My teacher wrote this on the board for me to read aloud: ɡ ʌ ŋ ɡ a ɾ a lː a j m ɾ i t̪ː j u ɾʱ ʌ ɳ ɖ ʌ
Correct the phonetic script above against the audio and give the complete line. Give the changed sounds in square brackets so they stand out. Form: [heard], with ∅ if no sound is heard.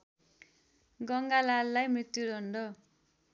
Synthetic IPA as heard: ɡ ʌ ŋ ɡ a [l] a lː a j m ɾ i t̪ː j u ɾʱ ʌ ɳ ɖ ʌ